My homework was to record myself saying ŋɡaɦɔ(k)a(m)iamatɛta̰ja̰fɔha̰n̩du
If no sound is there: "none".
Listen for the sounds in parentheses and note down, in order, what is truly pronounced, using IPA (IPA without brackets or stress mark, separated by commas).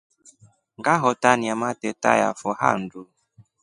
t, n